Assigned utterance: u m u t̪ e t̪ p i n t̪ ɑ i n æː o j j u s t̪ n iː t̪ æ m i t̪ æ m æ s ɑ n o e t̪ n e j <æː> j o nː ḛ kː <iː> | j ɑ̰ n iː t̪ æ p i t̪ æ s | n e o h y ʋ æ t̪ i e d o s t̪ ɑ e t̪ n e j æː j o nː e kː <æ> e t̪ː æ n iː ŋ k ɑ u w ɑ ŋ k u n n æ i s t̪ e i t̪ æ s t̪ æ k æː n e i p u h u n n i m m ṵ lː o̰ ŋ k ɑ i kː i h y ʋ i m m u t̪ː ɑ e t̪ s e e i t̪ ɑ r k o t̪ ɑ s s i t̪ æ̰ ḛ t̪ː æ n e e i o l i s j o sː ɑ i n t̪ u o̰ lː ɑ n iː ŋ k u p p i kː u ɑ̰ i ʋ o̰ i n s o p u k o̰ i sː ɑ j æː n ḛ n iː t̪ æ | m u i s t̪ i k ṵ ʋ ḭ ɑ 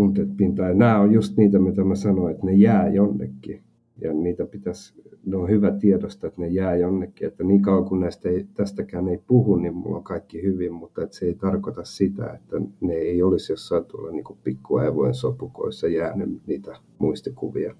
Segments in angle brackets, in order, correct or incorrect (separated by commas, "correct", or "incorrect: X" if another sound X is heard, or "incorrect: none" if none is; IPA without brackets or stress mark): correct, incorrect: i, incorrect: i